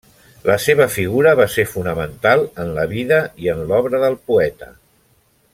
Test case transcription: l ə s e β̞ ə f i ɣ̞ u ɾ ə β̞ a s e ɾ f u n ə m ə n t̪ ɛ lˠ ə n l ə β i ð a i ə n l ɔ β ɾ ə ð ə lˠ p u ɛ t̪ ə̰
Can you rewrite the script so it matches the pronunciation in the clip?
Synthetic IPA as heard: l ə s e β̞ ə f i ɣ̞ u ɾ ə β̞ a s e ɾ f u n ə m ə n t̪ a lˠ ə n l ə β i ð ə i ə n l ɔ β ɾ ə ð ə lˠ p u ɛ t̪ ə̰